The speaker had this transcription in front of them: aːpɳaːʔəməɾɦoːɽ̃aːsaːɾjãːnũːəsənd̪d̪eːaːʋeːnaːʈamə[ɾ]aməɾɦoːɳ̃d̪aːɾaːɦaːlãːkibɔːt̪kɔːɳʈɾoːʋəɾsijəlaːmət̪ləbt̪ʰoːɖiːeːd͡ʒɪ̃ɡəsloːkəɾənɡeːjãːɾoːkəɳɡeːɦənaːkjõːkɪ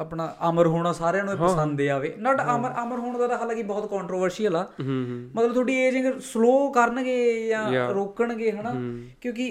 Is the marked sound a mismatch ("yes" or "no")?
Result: no